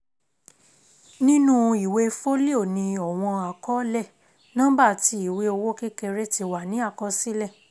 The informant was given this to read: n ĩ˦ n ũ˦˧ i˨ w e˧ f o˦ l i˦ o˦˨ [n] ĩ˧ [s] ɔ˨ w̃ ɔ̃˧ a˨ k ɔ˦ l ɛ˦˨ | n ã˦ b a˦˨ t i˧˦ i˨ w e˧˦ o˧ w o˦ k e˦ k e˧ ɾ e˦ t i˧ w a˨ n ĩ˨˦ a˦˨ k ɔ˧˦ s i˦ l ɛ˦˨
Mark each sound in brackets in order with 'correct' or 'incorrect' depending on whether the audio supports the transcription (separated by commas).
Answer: correct, incorrect